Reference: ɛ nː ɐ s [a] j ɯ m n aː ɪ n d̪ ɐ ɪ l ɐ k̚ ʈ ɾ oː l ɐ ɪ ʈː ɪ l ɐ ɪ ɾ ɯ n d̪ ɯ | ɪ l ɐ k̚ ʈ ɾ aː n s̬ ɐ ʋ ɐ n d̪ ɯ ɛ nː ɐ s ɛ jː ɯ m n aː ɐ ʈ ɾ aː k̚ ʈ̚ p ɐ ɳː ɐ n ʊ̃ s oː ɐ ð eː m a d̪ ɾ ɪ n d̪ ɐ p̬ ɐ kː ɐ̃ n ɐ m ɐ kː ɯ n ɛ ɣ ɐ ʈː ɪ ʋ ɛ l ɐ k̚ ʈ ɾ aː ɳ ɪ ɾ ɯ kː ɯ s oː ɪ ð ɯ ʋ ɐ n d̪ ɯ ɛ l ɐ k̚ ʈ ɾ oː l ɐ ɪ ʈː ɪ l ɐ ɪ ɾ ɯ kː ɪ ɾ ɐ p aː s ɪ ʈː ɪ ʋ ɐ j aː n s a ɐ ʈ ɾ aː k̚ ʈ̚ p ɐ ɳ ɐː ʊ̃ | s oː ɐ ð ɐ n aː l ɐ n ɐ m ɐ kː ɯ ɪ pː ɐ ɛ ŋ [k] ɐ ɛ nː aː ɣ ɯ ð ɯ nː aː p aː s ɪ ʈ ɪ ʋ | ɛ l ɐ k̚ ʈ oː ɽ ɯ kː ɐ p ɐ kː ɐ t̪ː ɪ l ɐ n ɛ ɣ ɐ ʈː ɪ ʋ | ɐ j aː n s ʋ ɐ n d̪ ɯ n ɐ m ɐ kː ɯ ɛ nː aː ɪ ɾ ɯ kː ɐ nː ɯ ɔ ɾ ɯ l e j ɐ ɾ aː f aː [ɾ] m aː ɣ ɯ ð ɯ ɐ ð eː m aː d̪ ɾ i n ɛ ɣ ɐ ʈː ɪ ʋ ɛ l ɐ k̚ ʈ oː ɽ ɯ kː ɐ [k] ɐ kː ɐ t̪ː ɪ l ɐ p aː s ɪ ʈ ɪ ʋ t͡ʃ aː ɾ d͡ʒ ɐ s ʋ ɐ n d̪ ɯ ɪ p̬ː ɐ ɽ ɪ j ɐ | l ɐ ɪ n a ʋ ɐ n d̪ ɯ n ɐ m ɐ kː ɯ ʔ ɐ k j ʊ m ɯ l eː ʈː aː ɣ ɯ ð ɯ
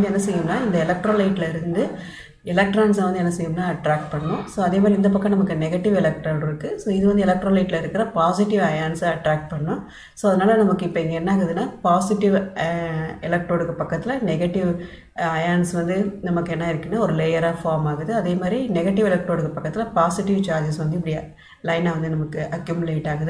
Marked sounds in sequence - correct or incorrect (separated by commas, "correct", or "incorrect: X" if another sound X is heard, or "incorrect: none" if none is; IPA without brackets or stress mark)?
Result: incorrect: ɛ, incorrect: ɡ, correct, incorrect: p